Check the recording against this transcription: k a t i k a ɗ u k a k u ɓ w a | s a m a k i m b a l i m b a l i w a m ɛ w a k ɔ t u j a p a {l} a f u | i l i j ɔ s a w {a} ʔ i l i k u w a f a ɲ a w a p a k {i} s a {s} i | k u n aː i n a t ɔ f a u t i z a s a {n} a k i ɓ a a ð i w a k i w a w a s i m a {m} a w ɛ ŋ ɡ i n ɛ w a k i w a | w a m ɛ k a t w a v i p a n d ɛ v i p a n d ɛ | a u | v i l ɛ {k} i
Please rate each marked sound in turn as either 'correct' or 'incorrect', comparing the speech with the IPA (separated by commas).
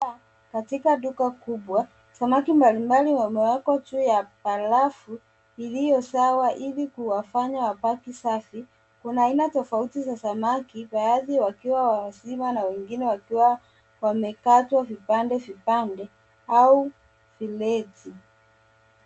correct, correct, correct, incorrect, incorrect, incorrect, incorrect